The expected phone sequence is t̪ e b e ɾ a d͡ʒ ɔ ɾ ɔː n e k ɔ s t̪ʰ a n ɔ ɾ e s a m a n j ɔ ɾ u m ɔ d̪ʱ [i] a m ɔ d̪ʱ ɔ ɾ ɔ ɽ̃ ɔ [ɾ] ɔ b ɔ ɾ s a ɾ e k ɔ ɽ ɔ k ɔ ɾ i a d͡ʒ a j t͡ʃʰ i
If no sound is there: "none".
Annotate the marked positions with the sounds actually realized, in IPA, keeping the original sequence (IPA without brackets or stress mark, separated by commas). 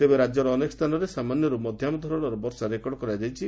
j, ɾ